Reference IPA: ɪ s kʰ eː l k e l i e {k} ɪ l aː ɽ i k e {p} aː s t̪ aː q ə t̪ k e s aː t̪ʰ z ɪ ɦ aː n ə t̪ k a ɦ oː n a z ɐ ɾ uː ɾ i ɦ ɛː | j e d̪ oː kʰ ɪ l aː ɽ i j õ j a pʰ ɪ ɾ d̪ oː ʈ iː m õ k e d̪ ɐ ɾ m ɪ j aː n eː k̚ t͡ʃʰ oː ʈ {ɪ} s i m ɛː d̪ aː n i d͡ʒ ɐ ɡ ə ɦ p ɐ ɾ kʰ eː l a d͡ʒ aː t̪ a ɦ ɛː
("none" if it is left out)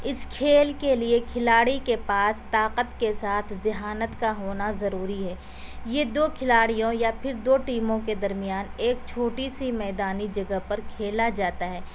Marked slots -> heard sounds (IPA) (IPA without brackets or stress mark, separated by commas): kʰ, p, i